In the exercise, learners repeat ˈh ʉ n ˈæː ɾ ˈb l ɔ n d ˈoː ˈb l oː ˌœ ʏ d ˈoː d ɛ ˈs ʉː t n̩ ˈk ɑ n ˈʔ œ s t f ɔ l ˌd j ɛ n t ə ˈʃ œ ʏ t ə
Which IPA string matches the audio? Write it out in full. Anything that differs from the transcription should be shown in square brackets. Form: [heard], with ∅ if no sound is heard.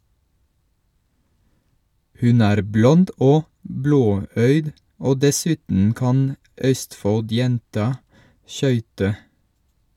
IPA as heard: ˈh ʉ n ˈæː ɾ ˈb l ɔ n d ˈoː ˈb l oː ˌœ ʏ d ˈoː d ɛ ˈs ʉː t n̩ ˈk ɑ n ˈʔ œ s t f ɔ l ˌd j ɛ n t [ɑ] ˈʃ œ ʏ t ə